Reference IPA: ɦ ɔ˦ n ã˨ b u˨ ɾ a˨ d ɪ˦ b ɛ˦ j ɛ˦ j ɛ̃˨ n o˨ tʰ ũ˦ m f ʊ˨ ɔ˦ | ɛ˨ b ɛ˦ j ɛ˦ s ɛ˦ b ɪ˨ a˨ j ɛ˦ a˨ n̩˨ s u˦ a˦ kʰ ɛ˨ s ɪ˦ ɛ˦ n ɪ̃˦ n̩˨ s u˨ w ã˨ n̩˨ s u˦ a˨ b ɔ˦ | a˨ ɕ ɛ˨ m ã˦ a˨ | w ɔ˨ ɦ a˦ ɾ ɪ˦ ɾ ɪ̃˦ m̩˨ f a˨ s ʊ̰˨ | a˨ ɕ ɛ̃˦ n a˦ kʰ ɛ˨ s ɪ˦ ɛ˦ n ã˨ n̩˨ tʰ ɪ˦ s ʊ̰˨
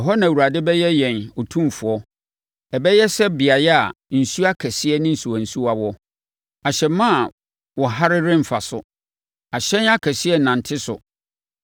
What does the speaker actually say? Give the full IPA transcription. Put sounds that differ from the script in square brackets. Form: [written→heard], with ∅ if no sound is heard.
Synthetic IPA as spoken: ɦ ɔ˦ n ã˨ [b→w] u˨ ɾ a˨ d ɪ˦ b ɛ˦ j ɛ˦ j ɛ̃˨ n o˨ tʰ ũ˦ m f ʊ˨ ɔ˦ | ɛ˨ b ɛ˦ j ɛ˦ s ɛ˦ b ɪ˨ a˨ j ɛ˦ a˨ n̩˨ s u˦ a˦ kʰ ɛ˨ s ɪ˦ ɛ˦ n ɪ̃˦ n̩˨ s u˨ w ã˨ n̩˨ s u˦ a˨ [b→w] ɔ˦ | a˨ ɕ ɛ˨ m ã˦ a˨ | w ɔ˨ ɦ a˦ ɾ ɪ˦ ɾ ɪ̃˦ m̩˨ f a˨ s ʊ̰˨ | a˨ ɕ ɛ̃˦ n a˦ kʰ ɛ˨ s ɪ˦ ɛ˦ n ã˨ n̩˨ tʰ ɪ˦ s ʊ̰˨